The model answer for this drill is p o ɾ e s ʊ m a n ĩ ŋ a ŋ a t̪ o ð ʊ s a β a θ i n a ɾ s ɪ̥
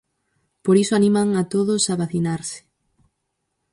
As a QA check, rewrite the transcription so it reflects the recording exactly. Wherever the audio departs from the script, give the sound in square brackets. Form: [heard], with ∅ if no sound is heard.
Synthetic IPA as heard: p o ɾ [i] s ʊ [∅] a n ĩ [m] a ŋ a t̪ o ð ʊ s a β a θ i n a ɾ s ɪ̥